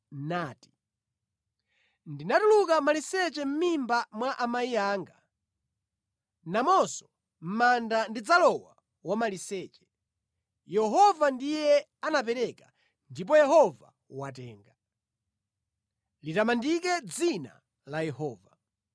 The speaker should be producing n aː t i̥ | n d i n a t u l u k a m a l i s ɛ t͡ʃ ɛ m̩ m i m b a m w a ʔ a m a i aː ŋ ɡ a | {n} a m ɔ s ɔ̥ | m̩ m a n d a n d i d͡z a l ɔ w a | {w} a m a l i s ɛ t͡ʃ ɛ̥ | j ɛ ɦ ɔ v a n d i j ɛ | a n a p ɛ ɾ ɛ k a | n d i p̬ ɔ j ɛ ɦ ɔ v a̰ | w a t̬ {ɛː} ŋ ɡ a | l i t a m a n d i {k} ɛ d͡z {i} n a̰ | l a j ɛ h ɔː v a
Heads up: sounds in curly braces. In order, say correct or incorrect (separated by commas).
correct, correct, correct, correct, correct